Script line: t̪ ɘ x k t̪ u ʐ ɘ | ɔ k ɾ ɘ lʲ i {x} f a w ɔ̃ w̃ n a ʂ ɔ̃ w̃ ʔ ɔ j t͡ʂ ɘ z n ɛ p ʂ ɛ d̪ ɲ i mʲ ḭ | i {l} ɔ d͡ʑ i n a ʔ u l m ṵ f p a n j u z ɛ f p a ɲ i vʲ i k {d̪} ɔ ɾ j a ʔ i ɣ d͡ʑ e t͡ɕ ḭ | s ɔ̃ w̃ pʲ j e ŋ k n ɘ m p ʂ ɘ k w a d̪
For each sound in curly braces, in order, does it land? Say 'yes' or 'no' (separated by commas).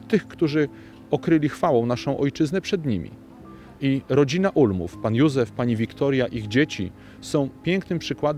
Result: yes, no, no